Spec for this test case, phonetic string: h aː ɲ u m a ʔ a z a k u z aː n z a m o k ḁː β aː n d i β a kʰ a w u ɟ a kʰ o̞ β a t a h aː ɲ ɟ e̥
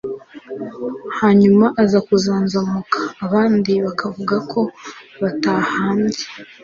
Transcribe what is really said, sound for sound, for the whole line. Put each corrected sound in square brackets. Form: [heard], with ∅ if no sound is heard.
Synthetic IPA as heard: h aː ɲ u m a ʔ a z a k u z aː n z a m [u] k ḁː β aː n d i β a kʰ a [v] u [ɡ] a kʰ o̞ β a t a h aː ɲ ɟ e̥